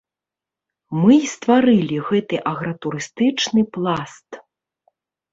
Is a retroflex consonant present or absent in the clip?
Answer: present